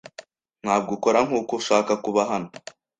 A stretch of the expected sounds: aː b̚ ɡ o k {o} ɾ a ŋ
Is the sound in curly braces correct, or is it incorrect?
correct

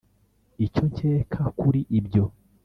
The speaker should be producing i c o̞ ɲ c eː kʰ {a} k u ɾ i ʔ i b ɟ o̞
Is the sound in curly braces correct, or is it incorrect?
correct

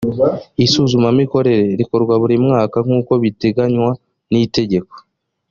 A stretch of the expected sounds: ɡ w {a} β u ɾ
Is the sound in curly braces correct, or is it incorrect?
correct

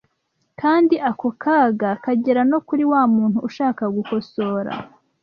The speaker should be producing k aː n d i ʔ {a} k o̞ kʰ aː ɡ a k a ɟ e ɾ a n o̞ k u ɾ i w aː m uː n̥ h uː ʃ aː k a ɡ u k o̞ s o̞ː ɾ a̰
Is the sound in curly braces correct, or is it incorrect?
correct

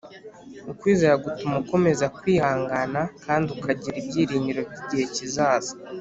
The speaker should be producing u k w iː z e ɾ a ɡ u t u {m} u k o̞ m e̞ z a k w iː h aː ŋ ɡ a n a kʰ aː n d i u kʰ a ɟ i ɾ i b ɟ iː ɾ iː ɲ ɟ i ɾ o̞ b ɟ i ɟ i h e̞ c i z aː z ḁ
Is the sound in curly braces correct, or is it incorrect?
correct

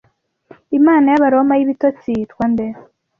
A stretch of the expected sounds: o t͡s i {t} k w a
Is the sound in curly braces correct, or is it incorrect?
correct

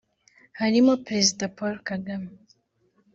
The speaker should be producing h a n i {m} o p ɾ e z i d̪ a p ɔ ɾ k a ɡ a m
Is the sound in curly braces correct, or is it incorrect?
correct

